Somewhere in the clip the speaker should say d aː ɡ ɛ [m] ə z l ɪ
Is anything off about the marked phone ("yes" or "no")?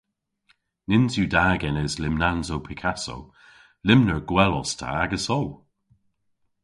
yes